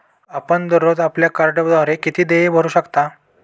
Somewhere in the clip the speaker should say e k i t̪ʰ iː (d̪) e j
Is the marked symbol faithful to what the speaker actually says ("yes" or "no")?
yes